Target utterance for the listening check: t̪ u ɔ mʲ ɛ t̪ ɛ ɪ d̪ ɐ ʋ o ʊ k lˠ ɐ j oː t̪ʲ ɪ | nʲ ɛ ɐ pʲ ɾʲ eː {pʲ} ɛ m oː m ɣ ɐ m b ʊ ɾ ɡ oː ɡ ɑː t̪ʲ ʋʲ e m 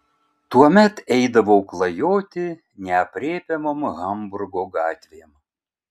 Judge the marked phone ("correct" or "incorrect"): correct